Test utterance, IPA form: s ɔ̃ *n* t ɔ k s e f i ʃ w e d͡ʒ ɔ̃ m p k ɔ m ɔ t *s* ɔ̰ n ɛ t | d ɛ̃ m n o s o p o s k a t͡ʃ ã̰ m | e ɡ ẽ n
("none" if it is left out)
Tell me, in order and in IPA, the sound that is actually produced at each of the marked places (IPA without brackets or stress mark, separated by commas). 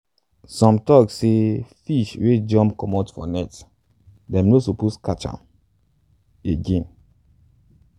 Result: m, f